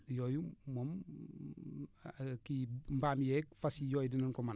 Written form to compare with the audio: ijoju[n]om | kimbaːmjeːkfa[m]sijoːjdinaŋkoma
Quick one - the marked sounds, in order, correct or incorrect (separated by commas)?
incorrect, incorrect